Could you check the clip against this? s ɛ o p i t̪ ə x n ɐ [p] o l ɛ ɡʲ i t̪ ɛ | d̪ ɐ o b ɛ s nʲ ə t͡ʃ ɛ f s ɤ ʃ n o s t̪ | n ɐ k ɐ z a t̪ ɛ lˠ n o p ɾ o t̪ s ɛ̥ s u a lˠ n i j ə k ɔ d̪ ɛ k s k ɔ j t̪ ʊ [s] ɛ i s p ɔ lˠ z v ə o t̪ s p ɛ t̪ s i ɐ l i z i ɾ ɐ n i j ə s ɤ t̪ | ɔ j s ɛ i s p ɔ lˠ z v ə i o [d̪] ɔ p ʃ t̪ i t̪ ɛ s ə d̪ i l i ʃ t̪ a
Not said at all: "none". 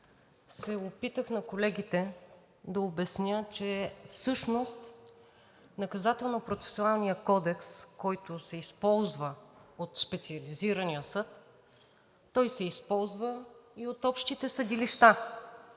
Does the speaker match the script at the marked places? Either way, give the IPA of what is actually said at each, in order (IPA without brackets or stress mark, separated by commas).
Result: k, s, t̪